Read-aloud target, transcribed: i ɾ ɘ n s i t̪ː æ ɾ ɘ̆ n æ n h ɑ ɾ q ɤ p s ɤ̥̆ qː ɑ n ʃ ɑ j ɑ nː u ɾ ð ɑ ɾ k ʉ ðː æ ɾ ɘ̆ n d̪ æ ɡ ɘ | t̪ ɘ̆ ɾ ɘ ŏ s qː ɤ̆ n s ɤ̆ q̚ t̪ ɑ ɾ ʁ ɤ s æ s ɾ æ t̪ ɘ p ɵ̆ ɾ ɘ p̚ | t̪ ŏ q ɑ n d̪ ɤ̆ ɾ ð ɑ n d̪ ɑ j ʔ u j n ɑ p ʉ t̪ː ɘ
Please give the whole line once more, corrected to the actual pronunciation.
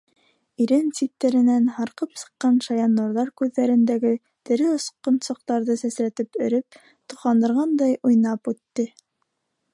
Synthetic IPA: i ɾ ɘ n s i t̪ː æ ɾ ɘ̆ n æ n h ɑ ɾ q ɤ p s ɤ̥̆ qː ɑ n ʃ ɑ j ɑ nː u ɾ ð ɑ ɾ k ʉ ðː æ ɾ ɘ̆ n d̪ æ ɡ ɘ | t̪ ɘ̆ ɾ ɘ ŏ s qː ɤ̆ n s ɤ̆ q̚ t̪ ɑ ɾ ð ɤ s æ s ɾ æ t̪ ɘ p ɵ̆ ɾ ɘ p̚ | t̪ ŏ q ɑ n d̪ ɤ̆ ɾ ʁ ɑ n d̪ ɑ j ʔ u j n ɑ p ʉ t̪ː ɘ

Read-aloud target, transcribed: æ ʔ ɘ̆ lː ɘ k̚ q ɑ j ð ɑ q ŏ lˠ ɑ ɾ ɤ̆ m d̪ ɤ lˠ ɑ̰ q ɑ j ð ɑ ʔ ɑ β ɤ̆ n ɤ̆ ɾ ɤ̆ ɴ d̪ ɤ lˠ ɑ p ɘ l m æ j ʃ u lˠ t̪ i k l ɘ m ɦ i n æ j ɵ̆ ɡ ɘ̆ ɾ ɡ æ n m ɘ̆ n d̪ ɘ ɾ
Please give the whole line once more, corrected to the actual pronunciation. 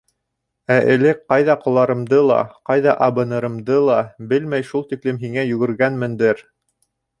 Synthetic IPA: æ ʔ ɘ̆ l ɘ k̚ q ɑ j ð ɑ q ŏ lˠ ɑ ɾ ɤ̆ m d̪ ɤ lˠ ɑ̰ q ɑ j ð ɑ ʔ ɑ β ɤ̆ n ɤ̆ ɾ ɤ̆ m d̪ ɤ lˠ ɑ b ɘ l m æ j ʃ u lˠ t̪ i k l ɘ m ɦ i ŋ æ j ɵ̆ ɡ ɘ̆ ɾ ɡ æ n m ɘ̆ n d̪ ɘ ɾ

